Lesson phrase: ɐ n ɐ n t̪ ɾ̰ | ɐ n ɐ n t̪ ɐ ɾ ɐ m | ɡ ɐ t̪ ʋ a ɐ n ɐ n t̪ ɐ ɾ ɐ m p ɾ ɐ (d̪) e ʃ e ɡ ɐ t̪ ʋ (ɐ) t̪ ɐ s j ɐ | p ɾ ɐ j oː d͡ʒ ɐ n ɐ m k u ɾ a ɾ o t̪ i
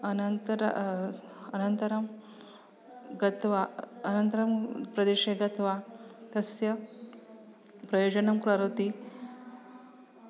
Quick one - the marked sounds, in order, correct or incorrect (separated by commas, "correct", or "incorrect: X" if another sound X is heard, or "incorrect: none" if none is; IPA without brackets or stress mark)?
correct, incorrect: a